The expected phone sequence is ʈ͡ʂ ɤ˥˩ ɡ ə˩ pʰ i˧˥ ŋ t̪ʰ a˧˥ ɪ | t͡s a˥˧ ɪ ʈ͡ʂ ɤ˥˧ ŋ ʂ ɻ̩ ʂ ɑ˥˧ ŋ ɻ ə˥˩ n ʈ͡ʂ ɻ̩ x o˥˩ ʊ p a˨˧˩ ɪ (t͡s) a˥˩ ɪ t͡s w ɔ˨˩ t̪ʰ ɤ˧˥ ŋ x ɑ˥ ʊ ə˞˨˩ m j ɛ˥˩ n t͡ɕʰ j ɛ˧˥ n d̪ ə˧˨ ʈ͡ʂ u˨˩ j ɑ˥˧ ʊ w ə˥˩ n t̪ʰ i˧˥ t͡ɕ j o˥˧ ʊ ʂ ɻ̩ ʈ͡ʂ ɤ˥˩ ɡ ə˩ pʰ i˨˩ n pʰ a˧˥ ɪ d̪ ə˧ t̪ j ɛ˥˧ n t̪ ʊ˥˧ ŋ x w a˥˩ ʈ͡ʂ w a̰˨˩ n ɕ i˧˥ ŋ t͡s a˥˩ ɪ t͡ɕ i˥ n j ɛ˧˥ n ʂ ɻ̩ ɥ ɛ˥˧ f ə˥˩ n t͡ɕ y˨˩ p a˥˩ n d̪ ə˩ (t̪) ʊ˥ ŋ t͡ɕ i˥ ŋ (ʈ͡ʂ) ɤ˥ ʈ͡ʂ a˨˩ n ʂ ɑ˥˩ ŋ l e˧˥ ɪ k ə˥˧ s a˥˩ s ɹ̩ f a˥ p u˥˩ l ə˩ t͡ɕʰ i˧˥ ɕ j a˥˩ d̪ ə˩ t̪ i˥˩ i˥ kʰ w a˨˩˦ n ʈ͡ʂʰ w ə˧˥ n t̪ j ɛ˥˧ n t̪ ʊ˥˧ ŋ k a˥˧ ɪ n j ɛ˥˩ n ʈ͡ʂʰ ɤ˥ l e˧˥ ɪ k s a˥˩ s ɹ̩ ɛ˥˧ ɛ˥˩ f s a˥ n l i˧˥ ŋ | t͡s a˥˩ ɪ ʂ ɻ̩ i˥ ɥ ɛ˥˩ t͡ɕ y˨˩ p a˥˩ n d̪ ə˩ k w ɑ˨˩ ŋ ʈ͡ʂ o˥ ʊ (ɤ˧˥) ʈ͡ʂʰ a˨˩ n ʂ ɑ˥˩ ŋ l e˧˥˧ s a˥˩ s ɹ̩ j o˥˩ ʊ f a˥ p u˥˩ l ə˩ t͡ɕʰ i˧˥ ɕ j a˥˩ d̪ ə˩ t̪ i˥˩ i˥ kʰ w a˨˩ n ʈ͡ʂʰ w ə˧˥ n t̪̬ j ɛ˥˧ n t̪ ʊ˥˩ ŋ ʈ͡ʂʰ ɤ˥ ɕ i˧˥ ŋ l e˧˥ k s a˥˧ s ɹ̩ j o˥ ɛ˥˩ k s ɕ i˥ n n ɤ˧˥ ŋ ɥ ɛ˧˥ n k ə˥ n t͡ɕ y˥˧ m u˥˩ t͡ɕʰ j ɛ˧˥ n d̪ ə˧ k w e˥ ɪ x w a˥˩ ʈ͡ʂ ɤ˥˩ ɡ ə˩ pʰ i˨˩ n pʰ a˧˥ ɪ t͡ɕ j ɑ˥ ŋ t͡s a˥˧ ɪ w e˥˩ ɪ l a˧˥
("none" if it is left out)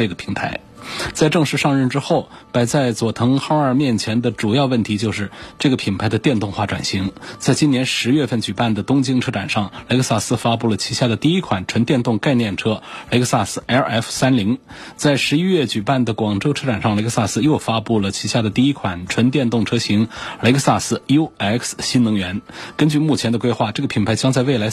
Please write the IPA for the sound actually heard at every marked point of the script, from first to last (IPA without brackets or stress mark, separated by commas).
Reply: t͡s, t̪, ʈ͡ʂʰ, ɤ˥